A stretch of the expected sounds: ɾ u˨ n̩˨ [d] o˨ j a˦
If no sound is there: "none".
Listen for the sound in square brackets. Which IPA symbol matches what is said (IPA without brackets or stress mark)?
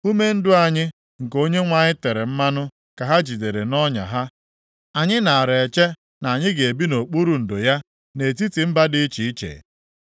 d